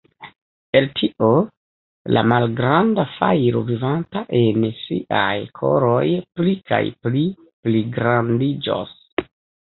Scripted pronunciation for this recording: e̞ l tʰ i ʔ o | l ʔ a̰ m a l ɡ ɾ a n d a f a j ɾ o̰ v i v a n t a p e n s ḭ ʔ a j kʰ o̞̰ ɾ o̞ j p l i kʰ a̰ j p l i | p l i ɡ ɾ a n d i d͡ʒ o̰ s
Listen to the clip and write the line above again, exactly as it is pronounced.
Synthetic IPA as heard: e̞ l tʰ i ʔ o | l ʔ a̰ m a l ɡ ɾ a n d a f a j ɾ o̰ v i v a n t a ʔ e n s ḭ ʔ a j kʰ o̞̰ ɾ o̞ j p l i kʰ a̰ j p l i | p l i ɡ ɾ a n d i d͡ʒ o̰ s

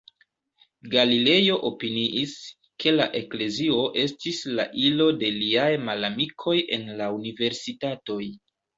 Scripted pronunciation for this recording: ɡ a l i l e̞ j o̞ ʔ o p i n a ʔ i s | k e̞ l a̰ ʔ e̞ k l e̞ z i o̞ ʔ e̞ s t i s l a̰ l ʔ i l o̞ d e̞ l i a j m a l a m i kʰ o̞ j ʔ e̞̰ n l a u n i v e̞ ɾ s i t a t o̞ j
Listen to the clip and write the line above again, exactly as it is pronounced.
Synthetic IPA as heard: ɡ a l i l e̞ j o̞ ʔ o p i n i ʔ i s | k e̞ l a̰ ʔ e̞ k l e̞ z i o̞ ʔ e̞ s t i s l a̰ ʔ i l o̞ d e̞ l i a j m a l a m i kʰ o̞ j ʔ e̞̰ n l a u n i v e̞ ɾ s i t a t o̞ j

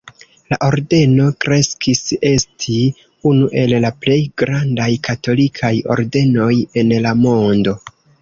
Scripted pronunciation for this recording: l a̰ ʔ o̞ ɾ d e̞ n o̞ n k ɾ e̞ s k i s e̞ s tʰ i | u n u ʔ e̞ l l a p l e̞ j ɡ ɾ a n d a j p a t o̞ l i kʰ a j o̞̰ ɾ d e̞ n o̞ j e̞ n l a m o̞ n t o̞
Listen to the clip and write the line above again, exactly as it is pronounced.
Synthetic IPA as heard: l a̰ ʔ o̞ ɾ d e̞ n o̞ k ɾ e̞ s k i s e̞ s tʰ i | u n u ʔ e̞ l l a p l e̞ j ɡ ɾ a n d a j k a t o̞ l i kʰ a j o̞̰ ɾ d e̞ n o̞ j e̞ n l a m o̞ n d o̞

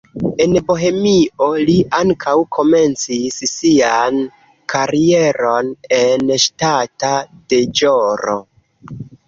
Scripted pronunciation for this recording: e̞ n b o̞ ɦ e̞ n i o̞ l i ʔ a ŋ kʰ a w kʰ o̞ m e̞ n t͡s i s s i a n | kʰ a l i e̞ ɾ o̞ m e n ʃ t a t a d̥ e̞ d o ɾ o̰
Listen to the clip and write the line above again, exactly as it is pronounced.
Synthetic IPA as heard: e̞ n b o̞ ɦ e̞ m i o̞ l i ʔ a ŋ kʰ a w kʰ o̞ m e̞ n t͡s i s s i a n | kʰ a ɾ i e̞ ɾ o̞ n e n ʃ t a t a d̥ e̞ d͡ʒ o ɾ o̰

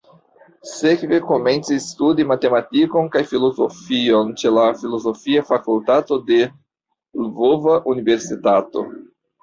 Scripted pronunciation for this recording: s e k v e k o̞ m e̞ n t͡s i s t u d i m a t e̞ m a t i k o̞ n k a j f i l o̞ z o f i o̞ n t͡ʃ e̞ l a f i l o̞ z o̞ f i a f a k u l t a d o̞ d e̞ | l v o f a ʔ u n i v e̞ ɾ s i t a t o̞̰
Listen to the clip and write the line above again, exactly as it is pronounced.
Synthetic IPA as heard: s e k v e k o̞ m e̞ n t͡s i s t u d i m a t e̞ m a t i k o̞ n k a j f i l o̞ z o f i o̞ n t͡ʃ e̞ l a f i l o̞ z o̞ f i a f a k u l t a t o̞ d e̞ | l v o v a ʔ u n i v e̞ ɾ s i t a t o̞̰

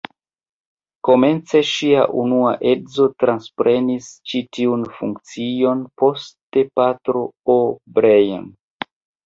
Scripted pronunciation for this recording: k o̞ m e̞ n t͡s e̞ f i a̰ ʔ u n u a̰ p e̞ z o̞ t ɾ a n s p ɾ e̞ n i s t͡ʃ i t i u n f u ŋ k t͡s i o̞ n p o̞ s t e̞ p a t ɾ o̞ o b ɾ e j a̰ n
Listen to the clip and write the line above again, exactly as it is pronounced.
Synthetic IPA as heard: k o̞ m e̞ n t͡s e̞ ʃ i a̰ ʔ u n u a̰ ʔ e̞ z o̞ t ɾ a n s p ɾ e̞ n i s t͡ʃ i t i u n f u ŋ k t͡s i o̞ n p o̞ s t e̞ p a t ɾ o̞ o b ɾ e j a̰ n

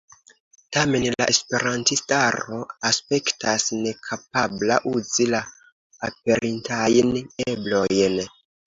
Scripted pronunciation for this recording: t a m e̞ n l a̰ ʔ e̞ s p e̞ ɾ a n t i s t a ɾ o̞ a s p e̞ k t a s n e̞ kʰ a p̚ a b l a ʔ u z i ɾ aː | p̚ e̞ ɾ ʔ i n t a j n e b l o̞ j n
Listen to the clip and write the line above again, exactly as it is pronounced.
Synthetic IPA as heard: t a m e̞ n l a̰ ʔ e̞ s p e̞ ɾ a n t i s t a ɾ o̞ a s p e̞ k t a s n e̞ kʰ a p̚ a b l a ʔ u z i l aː | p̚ e̞ ɾ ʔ i n t a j n e b l o̞ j n

